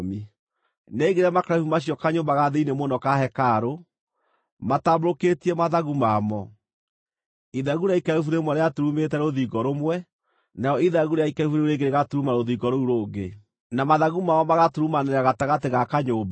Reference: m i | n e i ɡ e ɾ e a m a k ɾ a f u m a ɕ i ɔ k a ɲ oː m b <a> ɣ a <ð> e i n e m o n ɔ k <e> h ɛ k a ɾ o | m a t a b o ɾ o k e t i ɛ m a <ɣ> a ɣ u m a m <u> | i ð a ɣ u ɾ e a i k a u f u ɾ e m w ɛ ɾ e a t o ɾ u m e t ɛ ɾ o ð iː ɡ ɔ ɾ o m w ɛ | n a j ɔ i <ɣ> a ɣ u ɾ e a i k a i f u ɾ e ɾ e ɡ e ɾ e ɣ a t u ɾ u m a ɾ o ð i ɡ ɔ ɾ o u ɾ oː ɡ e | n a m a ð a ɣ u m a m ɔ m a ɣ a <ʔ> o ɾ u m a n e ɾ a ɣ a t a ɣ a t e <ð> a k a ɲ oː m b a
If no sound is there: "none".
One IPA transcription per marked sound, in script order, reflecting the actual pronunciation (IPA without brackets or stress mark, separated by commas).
a, ð, a, ð, ɔ, ð, t, ɣ